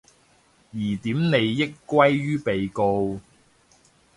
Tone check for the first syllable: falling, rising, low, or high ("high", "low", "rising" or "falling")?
low